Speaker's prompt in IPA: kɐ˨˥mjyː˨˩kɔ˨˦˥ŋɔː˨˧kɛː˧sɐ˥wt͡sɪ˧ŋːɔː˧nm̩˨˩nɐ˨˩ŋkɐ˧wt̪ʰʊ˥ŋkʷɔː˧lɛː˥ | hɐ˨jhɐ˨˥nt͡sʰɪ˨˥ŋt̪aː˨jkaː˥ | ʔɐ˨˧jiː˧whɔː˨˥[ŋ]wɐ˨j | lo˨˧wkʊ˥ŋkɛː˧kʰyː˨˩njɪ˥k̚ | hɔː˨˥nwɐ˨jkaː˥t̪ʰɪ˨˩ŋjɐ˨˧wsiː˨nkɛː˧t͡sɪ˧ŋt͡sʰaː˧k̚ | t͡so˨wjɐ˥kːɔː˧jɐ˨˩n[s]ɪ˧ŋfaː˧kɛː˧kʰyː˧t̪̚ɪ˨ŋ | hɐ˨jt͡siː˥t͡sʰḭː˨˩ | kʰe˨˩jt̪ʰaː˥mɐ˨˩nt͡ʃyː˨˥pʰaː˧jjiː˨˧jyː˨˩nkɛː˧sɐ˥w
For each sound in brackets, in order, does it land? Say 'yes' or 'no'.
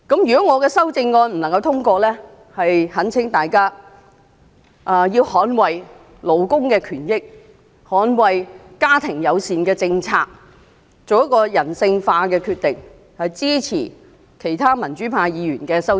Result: no, yes

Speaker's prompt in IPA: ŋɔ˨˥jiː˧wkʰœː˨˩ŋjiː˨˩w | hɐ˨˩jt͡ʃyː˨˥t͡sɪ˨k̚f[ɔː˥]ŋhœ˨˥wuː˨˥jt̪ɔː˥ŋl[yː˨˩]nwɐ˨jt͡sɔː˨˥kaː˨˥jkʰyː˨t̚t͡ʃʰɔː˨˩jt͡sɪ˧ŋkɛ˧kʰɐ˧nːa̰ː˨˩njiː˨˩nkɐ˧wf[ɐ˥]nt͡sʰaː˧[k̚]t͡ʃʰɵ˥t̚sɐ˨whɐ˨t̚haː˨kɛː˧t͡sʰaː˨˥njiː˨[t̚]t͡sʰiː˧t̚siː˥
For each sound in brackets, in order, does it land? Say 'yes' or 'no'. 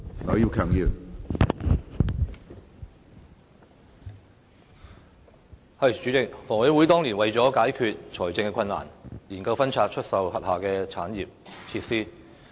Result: no, no, yes, no, no

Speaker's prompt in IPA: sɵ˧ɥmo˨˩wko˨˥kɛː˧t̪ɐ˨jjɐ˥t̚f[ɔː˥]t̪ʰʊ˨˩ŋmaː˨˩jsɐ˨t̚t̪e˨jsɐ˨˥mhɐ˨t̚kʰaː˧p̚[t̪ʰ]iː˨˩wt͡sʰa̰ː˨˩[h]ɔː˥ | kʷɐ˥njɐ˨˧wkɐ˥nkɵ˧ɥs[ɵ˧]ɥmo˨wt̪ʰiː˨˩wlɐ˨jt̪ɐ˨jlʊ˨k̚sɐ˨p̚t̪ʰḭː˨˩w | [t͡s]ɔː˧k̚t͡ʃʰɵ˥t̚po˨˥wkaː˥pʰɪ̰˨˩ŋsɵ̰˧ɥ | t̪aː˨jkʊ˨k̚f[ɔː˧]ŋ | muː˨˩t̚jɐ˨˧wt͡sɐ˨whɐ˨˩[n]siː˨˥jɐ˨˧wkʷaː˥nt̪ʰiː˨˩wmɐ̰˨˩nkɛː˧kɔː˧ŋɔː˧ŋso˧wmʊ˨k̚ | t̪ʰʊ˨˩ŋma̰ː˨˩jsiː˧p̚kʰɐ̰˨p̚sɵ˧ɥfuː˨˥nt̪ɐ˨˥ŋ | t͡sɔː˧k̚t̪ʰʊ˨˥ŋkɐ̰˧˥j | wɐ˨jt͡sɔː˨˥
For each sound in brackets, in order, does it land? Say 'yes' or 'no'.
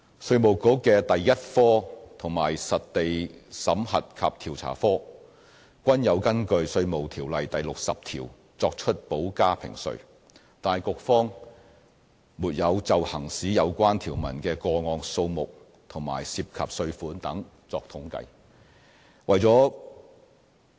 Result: yes, yes, no, yes, yes, no, no

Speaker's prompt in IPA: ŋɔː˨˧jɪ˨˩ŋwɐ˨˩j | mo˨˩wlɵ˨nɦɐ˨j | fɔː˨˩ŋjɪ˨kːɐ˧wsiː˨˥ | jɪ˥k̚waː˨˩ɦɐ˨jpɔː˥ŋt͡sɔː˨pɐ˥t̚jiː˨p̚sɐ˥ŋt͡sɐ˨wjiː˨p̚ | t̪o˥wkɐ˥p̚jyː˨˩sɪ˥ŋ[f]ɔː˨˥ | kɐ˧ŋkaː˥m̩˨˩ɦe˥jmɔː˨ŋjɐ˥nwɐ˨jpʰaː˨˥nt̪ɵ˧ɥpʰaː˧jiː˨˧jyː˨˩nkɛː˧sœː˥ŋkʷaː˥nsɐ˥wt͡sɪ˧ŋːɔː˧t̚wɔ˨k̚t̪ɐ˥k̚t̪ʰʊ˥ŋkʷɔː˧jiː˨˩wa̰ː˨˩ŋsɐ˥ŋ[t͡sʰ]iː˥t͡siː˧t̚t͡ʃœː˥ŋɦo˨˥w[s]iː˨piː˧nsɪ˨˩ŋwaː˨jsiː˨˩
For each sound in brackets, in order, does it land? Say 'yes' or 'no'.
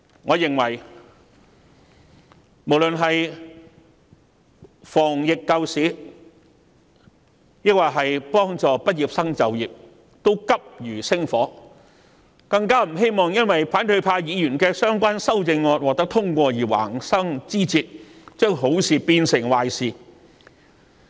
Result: yes, no, yes

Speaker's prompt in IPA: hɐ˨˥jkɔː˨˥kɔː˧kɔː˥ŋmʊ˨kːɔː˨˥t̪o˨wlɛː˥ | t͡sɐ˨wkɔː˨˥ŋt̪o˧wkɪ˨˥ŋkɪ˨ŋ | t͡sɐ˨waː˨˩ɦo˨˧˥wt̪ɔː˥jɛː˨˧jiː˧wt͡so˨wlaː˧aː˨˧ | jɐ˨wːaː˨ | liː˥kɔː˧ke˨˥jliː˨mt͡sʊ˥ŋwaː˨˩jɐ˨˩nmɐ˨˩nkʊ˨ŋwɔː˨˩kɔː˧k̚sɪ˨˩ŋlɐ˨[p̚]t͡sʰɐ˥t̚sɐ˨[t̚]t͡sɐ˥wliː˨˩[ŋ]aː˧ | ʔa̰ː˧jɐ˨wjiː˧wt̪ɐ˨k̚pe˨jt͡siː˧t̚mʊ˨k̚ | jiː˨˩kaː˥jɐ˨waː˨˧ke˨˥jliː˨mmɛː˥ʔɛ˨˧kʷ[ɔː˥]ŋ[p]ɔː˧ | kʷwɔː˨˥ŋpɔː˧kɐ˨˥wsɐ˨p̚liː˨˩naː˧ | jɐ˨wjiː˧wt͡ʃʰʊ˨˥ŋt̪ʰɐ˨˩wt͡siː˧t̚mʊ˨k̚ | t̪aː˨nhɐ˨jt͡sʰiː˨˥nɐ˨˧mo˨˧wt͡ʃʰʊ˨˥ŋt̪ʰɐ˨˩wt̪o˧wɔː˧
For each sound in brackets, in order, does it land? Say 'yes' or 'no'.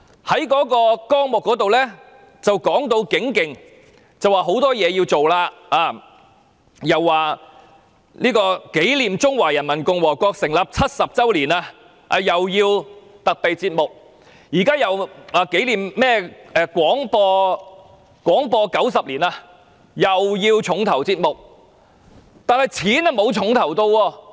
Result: yes, no, no, no, yes

